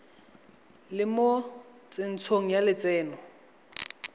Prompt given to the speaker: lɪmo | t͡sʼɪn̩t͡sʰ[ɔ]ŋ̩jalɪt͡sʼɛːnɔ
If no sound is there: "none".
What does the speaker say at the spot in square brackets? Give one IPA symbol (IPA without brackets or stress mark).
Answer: o